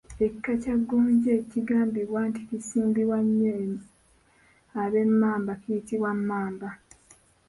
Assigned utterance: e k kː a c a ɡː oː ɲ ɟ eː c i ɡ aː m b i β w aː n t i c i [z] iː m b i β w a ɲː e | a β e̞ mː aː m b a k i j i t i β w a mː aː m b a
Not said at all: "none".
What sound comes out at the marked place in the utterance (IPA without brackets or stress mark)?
s